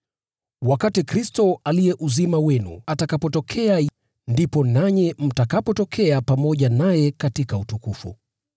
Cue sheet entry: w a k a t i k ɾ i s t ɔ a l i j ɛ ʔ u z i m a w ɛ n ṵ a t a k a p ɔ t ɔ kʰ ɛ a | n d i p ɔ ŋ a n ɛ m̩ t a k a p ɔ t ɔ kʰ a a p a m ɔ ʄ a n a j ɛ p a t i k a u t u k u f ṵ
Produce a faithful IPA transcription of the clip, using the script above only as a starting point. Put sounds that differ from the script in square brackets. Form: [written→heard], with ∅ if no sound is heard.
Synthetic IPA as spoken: w a k a t i k ɾ i s t ɔ a l i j ɛ ʔ u z i m a w ɛ n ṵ a t a k a p ɔ t ɔ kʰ ɛ a | n d i p ɔ [ŋ→n] a [n→ɲ] ɛ m̩ t a k a p ɔ t ɔ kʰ [a→ɛ] a p a m ɔ ʄ a n a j ɛ [p→k] a t i k a u t u k u f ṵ